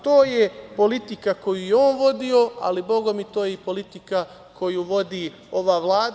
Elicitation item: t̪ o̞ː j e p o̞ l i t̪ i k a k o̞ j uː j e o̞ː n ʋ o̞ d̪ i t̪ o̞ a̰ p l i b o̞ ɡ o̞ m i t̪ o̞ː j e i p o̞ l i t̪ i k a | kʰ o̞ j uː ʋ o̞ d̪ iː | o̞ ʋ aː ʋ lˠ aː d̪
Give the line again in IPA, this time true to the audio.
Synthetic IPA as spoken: t̪ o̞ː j e p o̞ l i t̪ i k a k o̞ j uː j e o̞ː n ʋ o̞ d̪ i o̞ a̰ l i b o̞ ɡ o̞ m i t̪ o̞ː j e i p o̞ l i t̪ i k a | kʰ o̞ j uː ʋ o̞ d̪ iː | o̞ ʋ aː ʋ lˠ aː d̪